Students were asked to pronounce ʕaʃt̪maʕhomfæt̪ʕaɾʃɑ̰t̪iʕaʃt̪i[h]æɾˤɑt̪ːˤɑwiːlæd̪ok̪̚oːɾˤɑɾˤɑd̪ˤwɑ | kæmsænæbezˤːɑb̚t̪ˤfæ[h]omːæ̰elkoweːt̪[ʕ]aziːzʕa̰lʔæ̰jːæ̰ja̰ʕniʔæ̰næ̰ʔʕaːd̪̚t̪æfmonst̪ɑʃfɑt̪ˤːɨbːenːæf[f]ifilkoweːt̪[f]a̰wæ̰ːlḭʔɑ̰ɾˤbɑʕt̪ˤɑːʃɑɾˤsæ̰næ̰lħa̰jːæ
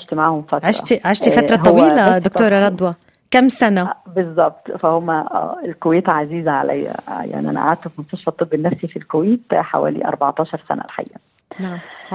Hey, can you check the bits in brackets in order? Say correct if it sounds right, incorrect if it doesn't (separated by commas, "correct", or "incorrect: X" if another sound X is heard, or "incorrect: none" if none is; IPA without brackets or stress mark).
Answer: incorrect: f, correct, correct, incorrect: s, incorrect: ħ